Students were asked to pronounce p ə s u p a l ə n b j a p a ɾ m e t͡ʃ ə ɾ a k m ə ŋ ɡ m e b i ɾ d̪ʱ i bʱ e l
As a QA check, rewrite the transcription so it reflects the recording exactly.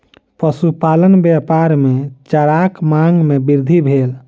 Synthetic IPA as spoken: p ə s u p a l ə n b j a p a ɾ m e t͡ʃ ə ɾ a k m a ŋ ɡ m e b i ɾ d̪ʱ i bʱ e l